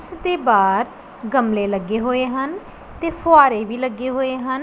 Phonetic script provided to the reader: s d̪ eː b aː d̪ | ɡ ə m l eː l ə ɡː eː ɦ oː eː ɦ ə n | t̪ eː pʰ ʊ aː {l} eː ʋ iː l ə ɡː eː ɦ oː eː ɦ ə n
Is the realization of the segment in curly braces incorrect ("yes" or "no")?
yes